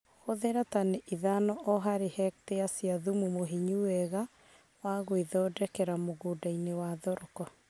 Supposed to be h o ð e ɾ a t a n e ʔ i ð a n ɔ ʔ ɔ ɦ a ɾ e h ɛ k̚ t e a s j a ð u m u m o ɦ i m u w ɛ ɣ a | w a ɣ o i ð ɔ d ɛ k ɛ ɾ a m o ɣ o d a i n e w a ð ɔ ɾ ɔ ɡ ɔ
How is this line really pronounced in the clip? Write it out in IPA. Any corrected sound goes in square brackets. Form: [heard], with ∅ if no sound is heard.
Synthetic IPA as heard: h o ð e ɾ a t a n e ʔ i ð a n ɔ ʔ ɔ ɦ a ɾ e h ɛ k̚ t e a s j a ð u m u m o ɦ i [ɲ] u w ɛ ɣ a | w a ɣ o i ð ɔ d ɛ k ɛ ɾ a m o ɣ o d a i n e w a ð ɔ ɾ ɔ [k] ɔ

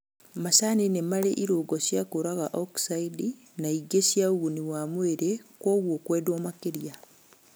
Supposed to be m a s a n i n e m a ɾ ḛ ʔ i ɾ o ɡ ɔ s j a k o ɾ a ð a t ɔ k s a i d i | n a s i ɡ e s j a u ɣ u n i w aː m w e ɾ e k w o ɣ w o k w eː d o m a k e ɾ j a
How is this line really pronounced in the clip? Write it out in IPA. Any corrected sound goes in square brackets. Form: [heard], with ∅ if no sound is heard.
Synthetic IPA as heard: m a s a n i n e m a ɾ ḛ ʔ i ɾ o ɡ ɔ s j a k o ɾ a [ɣ] a [ʔ] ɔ k s a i d i | n a [∅] i ɡ e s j a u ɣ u n i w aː m w e ɾ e k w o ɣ w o k w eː d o m a k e ɾ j a

